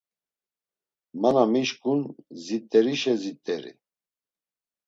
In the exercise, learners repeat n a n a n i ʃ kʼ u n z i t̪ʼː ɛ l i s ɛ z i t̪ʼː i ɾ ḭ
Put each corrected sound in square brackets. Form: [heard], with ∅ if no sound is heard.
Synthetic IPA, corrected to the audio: [m] a n a [m] i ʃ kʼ u n z i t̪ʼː ɛ [ɾ] i [ʃ] ɛ z i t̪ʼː [ɛ] ɾ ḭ